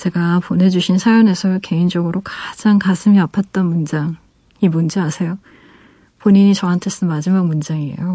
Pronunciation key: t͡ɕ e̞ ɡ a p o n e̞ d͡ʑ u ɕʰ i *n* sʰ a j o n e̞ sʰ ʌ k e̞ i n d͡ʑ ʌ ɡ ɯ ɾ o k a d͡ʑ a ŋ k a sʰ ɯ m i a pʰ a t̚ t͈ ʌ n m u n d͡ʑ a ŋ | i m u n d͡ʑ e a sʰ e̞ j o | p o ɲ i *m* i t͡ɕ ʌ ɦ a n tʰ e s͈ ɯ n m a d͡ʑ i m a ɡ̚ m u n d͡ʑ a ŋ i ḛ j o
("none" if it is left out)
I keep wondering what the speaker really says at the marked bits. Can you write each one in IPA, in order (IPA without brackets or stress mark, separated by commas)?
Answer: n, ɲ